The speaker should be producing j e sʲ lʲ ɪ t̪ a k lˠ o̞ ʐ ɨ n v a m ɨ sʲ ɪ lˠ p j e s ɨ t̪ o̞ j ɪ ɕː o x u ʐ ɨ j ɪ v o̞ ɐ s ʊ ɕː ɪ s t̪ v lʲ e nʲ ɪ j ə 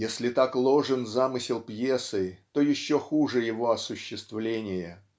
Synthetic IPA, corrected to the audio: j e sʲ lʲ ɪ t̪ a k lˠ o̞ ʐ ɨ n z a m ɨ sʲ ɪ lˠ p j e s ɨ t̪ o̞ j ɪ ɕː o x u ʐ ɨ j ɪ v o̞ ɐ s ʊ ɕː ɪ s t̪ v lʲ e nʲ ɪ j ə